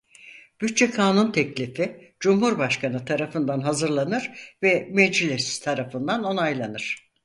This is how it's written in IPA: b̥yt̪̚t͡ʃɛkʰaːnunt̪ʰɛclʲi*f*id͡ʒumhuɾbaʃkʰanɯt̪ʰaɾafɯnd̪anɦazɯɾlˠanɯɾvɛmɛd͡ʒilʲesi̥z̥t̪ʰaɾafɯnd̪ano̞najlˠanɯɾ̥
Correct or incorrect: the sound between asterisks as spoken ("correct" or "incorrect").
correct